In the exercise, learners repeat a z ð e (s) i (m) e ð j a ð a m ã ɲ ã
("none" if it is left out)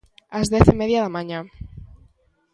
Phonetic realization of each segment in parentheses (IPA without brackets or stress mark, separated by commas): θ, m